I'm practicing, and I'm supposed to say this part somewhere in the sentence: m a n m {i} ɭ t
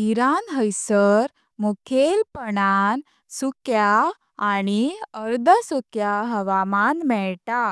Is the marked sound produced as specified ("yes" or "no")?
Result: no